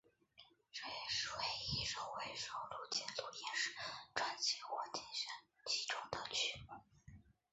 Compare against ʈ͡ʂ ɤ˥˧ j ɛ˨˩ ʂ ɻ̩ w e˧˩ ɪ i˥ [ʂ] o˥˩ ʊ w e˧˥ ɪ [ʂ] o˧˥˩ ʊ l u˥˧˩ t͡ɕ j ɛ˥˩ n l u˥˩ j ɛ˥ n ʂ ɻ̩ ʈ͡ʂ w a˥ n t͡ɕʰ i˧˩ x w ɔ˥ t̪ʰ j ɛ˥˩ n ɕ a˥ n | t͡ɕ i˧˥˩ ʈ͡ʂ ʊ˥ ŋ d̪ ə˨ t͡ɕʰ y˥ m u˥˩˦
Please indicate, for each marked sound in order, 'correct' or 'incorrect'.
correct, correct

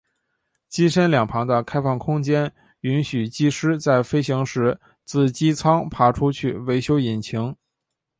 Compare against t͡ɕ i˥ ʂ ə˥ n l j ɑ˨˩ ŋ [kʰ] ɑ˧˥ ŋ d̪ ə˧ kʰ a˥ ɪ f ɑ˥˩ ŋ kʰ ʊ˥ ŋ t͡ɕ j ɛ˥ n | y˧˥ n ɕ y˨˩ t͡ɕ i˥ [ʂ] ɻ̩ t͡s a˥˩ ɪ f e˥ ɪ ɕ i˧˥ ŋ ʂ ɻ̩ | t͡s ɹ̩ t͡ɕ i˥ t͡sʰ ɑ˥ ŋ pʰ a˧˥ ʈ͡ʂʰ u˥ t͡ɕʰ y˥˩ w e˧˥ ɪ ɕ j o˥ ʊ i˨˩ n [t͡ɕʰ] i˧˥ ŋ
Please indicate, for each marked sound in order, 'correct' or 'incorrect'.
incorrect: pʰ, correct, correct

